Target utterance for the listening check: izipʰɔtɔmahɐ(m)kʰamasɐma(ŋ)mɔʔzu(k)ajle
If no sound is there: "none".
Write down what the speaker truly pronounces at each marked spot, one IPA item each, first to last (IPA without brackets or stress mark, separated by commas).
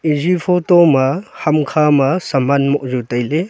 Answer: m, n, t